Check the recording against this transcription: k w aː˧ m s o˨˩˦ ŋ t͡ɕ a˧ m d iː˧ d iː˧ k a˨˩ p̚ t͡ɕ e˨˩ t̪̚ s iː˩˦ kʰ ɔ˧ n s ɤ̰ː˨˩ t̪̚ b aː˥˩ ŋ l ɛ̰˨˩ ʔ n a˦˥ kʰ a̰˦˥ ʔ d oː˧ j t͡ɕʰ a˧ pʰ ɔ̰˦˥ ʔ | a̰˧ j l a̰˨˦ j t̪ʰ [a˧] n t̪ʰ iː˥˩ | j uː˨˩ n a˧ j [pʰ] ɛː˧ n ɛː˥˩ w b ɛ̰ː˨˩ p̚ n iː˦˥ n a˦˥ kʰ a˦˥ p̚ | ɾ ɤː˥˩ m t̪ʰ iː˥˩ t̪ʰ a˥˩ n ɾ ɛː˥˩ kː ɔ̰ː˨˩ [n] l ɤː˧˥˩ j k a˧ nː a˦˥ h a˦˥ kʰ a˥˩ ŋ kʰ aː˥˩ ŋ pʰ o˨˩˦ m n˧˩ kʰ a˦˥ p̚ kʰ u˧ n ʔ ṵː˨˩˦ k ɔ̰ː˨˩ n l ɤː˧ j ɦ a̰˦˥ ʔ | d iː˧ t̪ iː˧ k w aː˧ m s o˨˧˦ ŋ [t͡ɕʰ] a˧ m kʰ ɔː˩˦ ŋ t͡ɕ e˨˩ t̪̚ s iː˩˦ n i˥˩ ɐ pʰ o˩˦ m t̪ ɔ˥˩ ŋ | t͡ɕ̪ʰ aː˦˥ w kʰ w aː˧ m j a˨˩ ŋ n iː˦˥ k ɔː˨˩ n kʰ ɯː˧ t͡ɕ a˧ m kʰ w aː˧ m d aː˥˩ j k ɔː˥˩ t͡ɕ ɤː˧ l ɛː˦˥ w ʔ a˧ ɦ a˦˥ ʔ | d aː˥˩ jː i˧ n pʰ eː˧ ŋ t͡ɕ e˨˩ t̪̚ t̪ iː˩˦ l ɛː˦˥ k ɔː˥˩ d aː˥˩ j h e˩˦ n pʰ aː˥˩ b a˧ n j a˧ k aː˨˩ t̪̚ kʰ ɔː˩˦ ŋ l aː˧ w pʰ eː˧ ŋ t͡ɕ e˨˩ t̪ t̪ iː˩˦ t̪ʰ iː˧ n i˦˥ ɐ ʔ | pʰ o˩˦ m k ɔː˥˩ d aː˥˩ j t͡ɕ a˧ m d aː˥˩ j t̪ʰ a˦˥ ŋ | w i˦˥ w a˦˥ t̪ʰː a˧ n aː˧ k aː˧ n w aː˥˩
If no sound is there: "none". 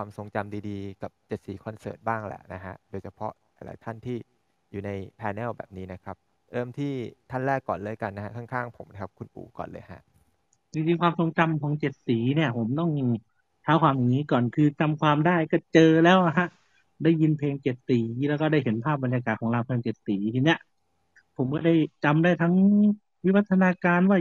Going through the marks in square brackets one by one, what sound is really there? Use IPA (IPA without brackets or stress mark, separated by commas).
a˥˩, pʰ, n, t͡ɕ